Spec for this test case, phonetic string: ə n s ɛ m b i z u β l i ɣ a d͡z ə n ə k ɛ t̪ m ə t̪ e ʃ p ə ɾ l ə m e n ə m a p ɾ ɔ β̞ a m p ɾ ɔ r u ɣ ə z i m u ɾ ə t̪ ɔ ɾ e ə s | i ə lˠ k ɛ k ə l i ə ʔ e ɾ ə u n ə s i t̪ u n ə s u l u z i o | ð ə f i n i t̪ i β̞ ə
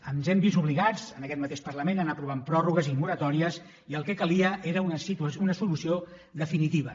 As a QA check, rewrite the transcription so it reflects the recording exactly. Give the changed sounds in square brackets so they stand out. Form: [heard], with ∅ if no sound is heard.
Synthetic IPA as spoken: ə n [z] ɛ m b i z u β l i ɣ a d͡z ə n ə k ɛ t̪ m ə t̪ e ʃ p ə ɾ l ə m e n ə [n] a p ɾ [u] β̞ a m p ɾ ɔ r u ɣ ə z i m u ɾ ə t̪ ɔ ɾ [i] ə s | i ə lˠ k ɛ k ə l i ə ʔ e ɾ ə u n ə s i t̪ u n ə s u l u [s] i o | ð ə f i n i t̪ i β̞ ə